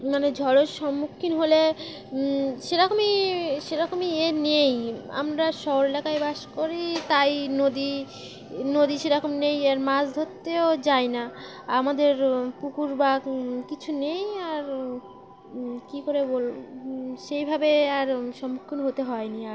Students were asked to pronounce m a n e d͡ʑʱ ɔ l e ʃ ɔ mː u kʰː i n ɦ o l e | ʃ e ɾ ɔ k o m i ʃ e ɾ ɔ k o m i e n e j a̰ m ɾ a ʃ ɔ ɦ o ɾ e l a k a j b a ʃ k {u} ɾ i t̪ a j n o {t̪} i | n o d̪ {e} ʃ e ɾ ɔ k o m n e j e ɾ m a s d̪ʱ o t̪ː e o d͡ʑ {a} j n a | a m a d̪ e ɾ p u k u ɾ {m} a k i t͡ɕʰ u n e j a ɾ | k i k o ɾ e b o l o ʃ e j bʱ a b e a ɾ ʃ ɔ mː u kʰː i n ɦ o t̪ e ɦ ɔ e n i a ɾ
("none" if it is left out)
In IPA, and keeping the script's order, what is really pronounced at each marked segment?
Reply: o, d̪, i, a, b

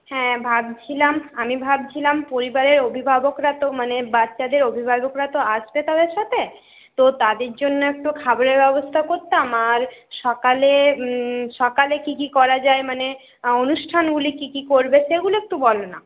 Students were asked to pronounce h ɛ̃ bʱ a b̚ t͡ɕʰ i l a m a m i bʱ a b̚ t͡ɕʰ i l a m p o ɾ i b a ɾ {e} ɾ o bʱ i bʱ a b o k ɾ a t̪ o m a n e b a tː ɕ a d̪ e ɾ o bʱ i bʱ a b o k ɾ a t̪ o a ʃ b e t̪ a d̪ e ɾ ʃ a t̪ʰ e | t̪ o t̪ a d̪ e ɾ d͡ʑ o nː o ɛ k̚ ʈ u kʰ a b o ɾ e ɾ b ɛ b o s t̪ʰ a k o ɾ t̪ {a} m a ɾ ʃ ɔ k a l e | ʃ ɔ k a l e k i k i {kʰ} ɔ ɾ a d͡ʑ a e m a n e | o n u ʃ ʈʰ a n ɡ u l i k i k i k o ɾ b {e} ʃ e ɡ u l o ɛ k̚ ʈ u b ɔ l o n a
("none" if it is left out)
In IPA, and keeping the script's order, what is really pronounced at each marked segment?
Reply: e, a, k, e

